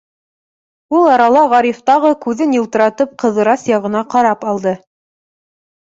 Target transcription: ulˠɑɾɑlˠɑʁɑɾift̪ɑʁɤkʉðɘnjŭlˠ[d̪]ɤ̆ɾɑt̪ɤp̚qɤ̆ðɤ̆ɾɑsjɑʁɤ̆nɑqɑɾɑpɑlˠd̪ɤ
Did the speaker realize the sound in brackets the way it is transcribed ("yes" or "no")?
no